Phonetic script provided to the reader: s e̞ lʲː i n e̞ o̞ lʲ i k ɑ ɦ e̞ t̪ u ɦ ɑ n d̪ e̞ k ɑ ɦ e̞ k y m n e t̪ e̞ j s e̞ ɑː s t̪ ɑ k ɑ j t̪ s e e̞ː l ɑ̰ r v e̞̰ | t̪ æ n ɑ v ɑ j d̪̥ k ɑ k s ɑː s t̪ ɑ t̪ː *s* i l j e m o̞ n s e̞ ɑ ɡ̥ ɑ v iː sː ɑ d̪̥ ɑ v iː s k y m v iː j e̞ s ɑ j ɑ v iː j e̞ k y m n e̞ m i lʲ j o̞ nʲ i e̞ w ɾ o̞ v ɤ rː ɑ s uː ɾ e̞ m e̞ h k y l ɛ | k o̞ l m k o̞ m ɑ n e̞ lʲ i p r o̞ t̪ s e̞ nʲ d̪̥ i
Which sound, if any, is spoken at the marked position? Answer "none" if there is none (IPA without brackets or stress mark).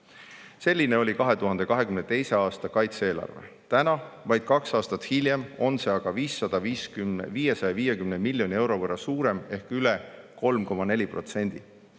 h